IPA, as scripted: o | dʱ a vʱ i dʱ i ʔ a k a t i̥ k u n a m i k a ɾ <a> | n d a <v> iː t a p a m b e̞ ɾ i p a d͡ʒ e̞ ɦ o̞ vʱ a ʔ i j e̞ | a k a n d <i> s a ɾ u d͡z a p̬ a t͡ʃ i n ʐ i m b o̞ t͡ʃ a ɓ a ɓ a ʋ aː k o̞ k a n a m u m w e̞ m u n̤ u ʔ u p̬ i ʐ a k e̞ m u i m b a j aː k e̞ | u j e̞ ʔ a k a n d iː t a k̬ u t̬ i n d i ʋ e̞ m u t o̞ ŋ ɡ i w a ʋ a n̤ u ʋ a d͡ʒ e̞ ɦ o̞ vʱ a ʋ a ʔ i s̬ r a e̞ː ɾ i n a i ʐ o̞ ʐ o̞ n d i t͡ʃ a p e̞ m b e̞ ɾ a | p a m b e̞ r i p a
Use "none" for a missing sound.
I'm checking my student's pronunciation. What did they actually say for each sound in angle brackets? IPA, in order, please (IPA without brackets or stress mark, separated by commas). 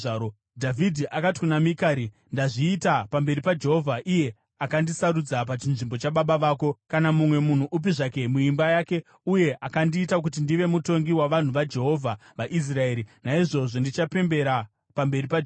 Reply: i, ʐ, i